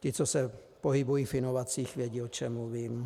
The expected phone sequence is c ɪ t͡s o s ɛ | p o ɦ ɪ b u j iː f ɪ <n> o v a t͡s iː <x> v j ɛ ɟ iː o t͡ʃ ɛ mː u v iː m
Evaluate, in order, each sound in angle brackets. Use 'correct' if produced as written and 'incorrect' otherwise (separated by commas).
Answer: correct, correct